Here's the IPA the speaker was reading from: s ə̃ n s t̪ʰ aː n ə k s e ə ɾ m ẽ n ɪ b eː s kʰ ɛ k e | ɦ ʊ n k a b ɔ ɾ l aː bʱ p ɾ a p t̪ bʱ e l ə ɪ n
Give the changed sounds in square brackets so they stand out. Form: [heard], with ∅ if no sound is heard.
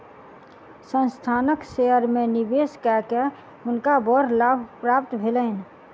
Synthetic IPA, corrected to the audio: s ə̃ n s t̪ʰ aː n ə k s e ə ɾ m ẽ n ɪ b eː s [k] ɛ k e | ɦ ʊ n k a b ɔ ɾ l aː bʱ p ɾ a p t̪ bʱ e l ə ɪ n